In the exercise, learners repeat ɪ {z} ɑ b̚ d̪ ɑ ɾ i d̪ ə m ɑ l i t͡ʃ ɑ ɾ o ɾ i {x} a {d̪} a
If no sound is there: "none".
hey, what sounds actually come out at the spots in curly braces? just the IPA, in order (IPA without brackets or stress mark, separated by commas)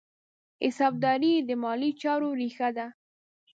s, x, d̪